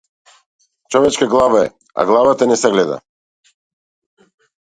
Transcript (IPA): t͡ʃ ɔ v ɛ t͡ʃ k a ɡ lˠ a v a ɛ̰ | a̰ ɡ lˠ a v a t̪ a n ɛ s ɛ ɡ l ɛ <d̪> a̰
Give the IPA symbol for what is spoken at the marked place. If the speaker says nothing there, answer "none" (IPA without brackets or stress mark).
d̪